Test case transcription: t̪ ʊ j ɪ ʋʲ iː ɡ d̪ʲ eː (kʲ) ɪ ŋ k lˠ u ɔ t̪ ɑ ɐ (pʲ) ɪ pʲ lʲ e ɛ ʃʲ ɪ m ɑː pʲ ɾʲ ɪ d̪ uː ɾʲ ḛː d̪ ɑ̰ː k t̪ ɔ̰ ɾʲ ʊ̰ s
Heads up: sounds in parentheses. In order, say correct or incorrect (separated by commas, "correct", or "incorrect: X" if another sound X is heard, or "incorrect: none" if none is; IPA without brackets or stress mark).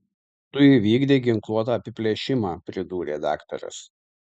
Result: incorrect: ɡʲ, correct